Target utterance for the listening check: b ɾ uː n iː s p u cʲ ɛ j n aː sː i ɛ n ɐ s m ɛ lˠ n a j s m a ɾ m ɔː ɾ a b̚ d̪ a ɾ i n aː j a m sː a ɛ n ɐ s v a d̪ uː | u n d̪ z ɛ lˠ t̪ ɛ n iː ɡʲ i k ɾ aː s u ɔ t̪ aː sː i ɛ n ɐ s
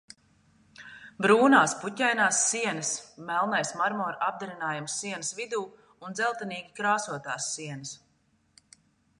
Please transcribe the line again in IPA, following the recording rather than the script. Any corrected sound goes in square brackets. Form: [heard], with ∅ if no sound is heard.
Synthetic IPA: b ɾ uː n [aː] s p u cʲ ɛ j n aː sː i ɛ n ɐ s m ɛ lˠ n a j s m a ɾ m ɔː ɾ a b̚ d̪ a ɾ i n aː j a m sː [i] ɛ n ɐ s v [i] d̪ uː | u n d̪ z ɛ lˠ t̪ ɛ n iː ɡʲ i k ɾ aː s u ɔ t̪ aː sː i ɛ n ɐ s